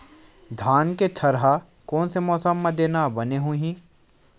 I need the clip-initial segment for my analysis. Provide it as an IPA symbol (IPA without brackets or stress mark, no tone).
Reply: d̪ʱ